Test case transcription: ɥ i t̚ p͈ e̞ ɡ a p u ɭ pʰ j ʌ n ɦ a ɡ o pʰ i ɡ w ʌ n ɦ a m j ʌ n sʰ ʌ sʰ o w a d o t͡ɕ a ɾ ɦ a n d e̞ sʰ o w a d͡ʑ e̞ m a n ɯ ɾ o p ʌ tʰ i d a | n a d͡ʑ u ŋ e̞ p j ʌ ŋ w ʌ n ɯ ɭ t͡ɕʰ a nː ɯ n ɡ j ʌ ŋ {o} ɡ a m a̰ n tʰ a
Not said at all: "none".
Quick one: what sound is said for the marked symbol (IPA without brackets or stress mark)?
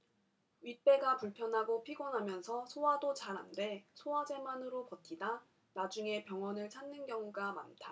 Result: u